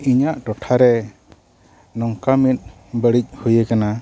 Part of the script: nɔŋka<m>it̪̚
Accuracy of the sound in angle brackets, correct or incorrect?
correct